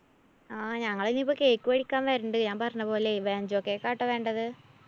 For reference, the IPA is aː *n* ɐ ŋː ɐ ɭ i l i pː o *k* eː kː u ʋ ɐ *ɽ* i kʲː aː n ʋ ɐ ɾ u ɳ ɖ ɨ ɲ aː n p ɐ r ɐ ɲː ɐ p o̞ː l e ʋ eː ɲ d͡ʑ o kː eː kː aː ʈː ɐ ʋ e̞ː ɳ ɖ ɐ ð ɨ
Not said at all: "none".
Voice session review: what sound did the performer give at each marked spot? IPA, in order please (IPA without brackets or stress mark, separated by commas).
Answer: ɲ, k, ɽ